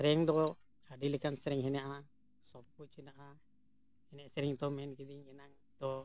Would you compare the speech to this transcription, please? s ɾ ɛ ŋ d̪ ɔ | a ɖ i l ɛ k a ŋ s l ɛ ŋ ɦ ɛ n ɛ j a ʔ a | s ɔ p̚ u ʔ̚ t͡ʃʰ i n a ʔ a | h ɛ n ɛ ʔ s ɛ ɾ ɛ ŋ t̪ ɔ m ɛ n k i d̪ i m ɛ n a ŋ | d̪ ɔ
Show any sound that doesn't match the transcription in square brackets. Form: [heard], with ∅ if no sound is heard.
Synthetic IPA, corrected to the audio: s ɾ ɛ ŋ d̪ ɔ | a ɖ i l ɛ k a [n] s [ɾ] ɛ ŋ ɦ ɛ n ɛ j a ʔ a | s ɔ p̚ u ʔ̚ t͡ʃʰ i n a ʔ a | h ɛ n ɛ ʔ s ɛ ɾ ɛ ŋ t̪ ɔ m ɛ n k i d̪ i [ŋ] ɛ n a ŋ | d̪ ɔ